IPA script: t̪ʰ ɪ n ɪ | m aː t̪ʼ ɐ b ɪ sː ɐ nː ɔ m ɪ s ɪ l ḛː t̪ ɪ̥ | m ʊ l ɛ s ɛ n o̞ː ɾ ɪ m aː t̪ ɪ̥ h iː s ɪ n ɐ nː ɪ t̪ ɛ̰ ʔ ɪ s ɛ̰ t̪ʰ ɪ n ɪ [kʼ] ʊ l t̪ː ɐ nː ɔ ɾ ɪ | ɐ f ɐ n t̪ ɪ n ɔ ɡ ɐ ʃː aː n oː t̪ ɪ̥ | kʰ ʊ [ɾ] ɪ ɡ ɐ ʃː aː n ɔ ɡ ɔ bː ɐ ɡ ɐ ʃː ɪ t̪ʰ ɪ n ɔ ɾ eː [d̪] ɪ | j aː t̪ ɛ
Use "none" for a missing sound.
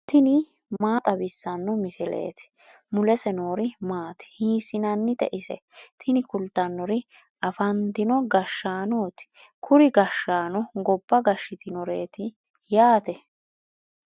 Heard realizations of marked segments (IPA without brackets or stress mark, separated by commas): k, ɾ, t̪